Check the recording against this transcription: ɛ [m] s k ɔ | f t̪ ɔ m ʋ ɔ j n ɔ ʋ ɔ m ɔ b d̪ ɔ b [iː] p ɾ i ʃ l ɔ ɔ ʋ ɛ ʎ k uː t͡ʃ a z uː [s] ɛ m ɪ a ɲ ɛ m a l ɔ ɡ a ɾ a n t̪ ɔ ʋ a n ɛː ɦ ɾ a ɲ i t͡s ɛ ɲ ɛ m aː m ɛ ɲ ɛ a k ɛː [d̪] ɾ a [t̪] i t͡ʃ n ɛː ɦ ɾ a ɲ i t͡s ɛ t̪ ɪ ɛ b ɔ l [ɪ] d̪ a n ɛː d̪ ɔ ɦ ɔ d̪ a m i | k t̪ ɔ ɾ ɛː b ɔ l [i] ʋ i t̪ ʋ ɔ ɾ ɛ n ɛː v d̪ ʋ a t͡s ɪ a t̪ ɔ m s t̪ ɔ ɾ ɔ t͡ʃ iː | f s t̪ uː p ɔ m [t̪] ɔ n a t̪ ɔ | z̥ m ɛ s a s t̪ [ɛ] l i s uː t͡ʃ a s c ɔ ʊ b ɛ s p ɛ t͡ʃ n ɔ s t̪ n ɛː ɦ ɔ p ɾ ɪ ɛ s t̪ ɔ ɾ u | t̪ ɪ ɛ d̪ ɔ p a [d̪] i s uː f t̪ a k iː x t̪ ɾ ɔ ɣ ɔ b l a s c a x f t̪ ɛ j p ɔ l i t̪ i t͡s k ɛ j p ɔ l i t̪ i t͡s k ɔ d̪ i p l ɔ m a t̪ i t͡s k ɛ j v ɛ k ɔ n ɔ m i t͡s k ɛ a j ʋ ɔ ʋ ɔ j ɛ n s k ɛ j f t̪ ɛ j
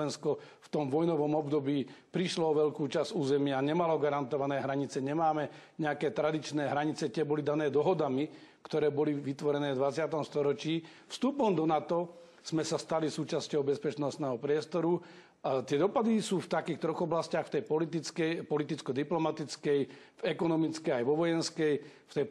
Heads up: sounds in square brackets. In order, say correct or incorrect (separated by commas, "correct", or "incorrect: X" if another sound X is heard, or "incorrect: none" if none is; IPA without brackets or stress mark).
incorrect: n, correct, incorrect: z, incorrect: t̪, incorrect: d̪, incorrect: i, correct, incorrect: d̪, incorrect: a, correct